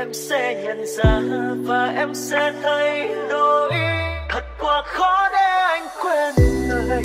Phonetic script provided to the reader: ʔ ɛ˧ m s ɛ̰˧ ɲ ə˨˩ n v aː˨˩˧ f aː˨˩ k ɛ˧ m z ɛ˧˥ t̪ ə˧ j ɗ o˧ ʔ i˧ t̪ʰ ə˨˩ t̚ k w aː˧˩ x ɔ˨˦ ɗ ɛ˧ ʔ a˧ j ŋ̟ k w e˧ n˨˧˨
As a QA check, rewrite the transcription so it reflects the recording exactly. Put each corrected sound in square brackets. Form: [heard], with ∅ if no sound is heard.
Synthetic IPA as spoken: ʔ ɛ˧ m s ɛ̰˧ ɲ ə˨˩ n [z] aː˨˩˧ [v] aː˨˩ [ʔ] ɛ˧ m [s] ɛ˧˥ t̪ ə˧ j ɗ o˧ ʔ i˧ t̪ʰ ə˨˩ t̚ k w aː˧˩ x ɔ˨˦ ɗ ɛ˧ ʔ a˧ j ŋ̟ k w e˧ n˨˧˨